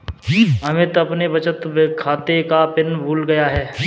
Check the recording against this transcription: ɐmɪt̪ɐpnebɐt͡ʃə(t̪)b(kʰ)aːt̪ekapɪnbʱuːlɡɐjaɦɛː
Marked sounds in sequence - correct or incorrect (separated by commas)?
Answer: correct, correct